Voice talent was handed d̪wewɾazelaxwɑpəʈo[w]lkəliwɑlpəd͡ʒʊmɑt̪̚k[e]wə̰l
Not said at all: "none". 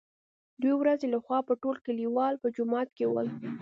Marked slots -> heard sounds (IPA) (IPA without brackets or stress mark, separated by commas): none, e